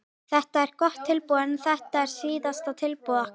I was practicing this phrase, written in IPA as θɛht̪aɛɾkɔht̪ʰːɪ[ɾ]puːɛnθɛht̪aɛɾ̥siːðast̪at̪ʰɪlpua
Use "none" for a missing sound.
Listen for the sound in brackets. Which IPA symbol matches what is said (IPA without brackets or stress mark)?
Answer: l